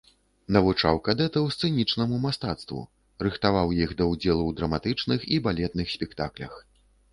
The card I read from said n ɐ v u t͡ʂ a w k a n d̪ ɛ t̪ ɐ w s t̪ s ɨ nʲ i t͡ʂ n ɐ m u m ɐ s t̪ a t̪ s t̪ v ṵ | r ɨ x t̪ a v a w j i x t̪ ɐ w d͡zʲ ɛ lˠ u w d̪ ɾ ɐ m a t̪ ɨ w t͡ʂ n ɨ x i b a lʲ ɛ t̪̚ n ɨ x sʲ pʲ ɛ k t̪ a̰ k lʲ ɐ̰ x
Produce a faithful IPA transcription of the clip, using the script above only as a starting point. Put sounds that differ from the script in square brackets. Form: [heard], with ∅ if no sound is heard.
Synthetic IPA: n ɐ v u t͡ʂ a w k a [∅] d̪ ɛ t̪ ɐ w s t̪ s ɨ nʲ i t͡ʂ n ɐ m u m [a] s t̪ a t̪ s t̪ v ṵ | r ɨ x t̪ a v a w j i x [d̪] ɐ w d͡zʲ ɛ lˠ u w d̪ ɾ ɐ m a t̪ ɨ [∅] t͡ʂ n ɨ x i b a lʲ ɛ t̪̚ n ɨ x sʲ pʲ ɛ k t̪ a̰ k lʲ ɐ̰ x